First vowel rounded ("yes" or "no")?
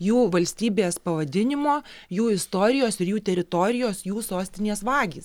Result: yes